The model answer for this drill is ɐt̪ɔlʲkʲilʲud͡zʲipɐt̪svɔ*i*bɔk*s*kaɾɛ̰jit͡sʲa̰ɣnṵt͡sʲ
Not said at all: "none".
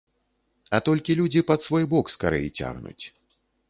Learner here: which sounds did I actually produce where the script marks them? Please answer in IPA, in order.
j, s

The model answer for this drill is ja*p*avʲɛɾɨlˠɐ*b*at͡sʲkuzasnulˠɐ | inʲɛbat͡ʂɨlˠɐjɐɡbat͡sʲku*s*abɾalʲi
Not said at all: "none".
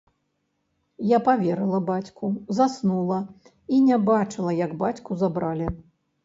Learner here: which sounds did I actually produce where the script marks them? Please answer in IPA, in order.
p, b, z

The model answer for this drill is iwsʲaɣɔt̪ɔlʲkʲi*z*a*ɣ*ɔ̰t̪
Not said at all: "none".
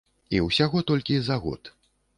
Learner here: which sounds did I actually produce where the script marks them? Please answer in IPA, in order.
z, ɣ

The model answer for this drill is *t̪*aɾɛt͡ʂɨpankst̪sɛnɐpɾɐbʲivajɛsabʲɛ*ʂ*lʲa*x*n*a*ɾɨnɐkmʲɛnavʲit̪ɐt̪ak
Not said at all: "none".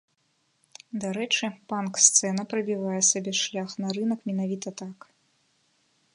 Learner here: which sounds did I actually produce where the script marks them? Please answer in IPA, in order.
d̪, ʂ, x, ɐ

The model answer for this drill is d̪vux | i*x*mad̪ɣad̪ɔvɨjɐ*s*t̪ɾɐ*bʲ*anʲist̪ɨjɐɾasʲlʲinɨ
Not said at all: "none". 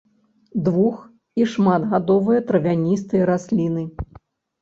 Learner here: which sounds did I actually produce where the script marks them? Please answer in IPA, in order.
ʂ, none, vʲ

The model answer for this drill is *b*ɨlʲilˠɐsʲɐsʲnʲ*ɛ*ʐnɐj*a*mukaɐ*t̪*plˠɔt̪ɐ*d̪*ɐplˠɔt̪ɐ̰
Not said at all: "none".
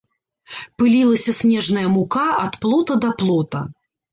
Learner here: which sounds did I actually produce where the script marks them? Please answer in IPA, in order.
p, ɛ, ɐ, t̪, d̪

